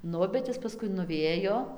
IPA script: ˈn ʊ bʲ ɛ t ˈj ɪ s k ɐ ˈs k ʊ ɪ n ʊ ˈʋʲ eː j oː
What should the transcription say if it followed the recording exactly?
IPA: ˈn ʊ bʲ ɛ t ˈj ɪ s p ɐ ˈs k ʊ ɪ n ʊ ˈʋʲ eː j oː